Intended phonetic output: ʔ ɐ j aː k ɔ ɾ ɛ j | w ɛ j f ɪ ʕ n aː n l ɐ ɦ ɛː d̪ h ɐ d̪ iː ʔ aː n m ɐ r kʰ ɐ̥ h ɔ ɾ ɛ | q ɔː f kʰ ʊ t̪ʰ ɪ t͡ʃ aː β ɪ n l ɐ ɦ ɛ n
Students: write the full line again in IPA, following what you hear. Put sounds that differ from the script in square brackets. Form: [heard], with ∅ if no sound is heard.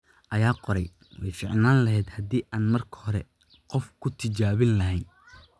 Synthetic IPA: ʔ ɐ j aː [q] ɔ ɾ ɛ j | w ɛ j f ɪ ʕ n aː n l ɐ ɦ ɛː d̪ h ɐ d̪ iː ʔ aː n m ɐ r kʰ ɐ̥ h ɔ ɾ ɛ | q [ɔ] f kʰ ʊ t̪ʰ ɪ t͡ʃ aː β ɪ n l ɐ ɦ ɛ n